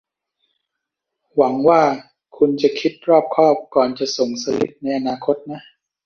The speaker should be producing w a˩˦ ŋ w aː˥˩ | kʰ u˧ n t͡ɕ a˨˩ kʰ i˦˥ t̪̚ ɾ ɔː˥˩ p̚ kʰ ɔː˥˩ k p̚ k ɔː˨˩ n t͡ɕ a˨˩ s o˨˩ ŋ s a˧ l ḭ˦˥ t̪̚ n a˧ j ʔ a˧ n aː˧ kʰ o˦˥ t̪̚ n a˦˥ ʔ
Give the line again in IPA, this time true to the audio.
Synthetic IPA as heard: w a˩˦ ŋ w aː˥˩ | kʰ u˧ n t͡ɕ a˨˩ kʰ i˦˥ t̪̚ ɾ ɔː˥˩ p̚ kʰ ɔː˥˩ p̚ k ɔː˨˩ n t͡ɕ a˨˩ s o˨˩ ŋ s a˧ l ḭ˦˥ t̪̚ n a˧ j ʔ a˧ n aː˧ kʰ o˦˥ t̪̚ n a˦˥ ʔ